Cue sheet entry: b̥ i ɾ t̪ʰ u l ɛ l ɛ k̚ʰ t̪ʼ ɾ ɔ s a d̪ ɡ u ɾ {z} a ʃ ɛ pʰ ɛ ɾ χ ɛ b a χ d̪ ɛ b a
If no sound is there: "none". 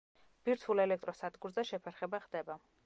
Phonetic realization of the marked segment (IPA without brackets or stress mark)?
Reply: z